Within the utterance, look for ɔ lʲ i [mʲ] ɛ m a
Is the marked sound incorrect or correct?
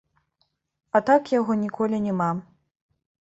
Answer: incorrect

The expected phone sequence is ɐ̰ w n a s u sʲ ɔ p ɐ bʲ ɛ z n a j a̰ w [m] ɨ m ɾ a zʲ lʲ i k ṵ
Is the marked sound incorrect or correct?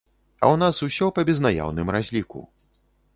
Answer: incorrect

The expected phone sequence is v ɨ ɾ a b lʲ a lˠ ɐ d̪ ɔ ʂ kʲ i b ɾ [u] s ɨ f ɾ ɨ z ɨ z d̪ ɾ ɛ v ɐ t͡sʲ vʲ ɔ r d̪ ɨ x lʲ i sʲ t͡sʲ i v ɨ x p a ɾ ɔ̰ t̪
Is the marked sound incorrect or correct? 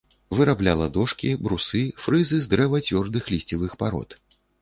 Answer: correct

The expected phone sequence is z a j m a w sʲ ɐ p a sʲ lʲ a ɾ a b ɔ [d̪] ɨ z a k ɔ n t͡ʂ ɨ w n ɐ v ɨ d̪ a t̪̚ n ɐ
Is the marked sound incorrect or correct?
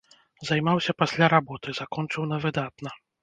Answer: incorrect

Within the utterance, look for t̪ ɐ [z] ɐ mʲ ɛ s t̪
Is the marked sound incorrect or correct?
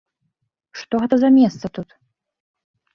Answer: correct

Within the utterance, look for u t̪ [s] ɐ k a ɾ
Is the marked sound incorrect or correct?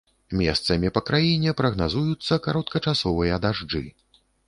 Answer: incorrect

